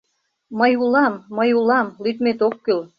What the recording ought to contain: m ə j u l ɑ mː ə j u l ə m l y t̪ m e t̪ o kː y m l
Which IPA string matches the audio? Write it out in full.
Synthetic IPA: m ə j u l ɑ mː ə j u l ɑ m l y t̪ m e t̪ o kː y l

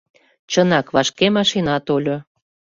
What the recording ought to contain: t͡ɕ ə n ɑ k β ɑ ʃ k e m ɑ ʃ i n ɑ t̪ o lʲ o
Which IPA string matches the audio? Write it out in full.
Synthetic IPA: t͡ɕ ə n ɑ k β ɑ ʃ k e m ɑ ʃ i n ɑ t̪ o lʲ o

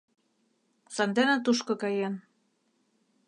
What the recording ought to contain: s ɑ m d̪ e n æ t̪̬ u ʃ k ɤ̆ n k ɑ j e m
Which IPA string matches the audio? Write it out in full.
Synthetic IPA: s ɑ n d̪ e n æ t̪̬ u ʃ k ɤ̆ k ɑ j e n

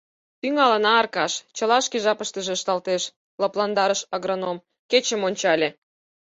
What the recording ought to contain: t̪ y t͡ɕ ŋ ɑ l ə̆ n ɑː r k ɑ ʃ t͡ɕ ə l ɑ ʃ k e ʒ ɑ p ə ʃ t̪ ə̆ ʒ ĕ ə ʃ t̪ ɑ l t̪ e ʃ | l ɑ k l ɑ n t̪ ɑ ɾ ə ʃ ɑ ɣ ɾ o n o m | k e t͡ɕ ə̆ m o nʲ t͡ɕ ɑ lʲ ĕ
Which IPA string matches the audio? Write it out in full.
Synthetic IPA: t̪ y ŋ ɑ l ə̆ n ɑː r k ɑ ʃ t͡ɕ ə l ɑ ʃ k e ʒ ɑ p ə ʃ t̪ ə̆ ʒ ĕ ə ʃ t̪ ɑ l t̪ e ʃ | l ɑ p l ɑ n d̪ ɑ ɾ ə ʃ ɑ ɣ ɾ o n o m | k e t͡ɕ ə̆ m o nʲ t͡ɕ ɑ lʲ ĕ

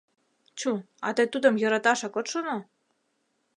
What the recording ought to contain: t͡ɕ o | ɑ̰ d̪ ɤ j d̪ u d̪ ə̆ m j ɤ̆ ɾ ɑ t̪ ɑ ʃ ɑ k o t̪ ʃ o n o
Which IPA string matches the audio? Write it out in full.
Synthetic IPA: t͡ɕ u | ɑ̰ t̪ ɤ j t̪ u d̪ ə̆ m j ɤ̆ ɾ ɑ t̪ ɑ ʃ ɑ k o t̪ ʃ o n o

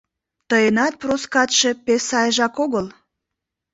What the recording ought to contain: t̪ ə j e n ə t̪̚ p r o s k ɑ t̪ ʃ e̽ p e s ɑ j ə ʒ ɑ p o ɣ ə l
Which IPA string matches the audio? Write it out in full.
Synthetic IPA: t̪ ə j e n ɑ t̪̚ p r o s k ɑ t̪ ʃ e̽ p e s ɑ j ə ʒ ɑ k o ɣ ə l

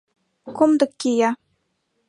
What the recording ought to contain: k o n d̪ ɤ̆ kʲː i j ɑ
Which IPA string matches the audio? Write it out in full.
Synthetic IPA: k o m d̪ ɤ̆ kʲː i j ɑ

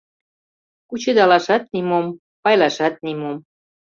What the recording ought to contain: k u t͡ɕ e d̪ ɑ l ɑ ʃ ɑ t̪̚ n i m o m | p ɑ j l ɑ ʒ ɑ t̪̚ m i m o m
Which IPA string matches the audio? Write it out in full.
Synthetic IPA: k u t͡ɕ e d̪ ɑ l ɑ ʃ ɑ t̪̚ n i m o m | p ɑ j l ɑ ʃ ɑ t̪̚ n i m o m

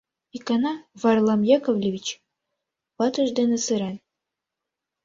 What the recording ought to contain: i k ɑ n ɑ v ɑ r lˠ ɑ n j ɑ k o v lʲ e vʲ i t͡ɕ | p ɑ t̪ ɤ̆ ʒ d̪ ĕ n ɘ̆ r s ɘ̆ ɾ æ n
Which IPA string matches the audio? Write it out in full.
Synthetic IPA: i k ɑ n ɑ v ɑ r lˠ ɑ m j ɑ k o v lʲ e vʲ i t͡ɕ | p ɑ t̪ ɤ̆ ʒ d̪ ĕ n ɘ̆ s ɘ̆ ɾ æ n

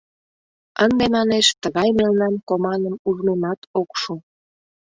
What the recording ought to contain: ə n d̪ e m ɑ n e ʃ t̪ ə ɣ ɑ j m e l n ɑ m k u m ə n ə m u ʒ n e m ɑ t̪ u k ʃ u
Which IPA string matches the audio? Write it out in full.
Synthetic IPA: ə n d̪ e m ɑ n e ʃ t̪ ə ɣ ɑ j m e l n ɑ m k o m ɑ n ə m u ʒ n e m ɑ t̪ o k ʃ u

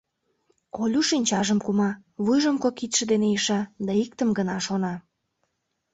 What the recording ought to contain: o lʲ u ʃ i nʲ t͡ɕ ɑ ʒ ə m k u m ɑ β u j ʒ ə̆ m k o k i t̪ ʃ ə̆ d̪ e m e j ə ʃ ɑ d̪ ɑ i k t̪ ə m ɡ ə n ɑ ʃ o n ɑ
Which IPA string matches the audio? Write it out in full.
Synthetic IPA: o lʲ u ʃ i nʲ t͡ɕ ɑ ʒ ə m k u m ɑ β u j ʒ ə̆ m k o k i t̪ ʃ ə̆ d̪ e n e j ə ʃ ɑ d̪ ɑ i k t̪ ə m ɡ ə n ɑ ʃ o n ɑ

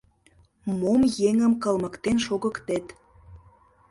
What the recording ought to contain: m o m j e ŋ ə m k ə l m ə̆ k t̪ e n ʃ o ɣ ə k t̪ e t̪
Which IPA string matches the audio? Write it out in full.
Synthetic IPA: m o m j e ŋ ə m k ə l m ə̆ k t̪ e n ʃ o ɣ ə k t̪ e t̪

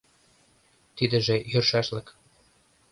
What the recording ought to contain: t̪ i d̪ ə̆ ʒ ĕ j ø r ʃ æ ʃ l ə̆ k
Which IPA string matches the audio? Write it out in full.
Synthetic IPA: t̪ i d̪ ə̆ ʒ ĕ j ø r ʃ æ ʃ l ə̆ k

